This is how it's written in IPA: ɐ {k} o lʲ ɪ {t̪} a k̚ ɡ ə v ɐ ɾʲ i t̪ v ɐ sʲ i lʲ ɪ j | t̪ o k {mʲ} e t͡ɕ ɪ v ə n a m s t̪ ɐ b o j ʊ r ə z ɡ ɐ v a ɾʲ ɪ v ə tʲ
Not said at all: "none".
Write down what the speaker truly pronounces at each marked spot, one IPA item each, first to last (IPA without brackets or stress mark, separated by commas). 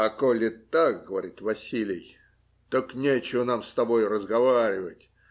k, t̪, nʲ